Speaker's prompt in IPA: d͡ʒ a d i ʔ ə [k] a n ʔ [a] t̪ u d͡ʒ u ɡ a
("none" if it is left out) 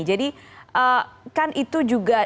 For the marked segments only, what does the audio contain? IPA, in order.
k, i

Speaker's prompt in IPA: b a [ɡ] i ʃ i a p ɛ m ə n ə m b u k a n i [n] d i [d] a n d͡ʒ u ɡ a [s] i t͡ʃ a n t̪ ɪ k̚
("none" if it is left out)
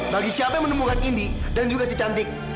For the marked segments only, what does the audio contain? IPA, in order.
ɡ, n, d, s

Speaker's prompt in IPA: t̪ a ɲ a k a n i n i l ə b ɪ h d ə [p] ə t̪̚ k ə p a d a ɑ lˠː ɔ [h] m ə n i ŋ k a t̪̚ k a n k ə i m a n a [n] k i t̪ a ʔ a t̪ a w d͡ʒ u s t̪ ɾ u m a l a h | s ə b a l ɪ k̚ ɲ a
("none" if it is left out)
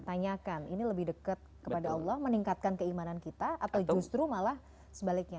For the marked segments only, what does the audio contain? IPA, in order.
k, h, n

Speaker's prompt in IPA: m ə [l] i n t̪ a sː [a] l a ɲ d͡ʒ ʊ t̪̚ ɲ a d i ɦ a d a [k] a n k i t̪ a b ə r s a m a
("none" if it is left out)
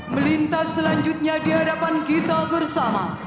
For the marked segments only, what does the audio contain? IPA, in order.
l, ə, p

